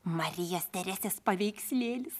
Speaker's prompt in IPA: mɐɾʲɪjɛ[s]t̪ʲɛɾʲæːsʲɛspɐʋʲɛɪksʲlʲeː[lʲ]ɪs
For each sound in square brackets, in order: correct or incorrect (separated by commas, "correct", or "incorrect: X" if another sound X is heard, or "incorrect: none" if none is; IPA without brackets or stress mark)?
correct, correct